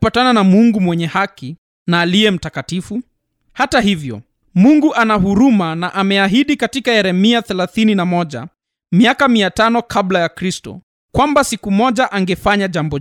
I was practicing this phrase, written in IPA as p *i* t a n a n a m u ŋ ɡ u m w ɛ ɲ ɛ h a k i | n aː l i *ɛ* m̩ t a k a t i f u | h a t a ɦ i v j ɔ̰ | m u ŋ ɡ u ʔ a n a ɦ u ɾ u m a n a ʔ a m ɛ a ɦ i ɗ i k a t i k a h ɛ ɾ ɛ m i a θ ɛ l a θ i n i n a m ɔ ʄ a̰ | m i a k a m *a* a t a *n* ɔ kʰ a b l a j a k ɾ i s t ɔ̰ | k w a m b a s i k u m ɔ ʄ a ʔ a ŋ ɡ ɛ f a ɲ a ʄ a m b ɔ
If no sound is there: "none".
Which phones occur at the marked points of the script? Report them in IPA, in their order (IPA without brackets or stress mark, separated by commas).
a, ɛ, i, n